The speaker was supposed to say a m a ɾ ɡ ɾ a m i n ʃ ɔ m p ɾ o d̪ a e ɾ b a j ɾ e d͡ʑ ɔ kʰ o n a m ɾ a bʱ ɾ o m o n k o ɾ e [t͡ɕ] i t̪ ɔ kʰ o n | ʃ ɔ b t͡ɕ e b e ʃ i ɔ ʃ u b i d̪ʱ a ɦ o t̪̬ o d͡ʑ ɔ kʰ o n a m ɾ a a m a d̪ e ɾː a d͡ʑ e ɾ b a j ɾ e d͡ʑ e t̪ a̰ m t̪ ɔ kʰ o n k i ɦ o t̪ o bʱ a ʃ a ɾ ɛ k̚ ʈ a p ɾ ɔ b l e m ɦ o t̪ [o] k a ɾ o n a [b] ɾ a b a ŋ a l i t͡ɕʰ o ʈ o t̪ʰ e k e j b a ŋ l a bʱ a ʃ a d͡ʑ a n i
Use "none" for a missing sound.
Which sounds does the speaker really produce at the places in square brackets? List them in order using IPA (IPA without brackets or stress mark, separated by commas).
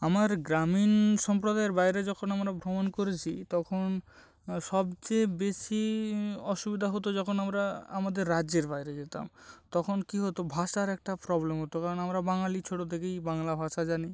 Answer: t͡ɕʰ, o, m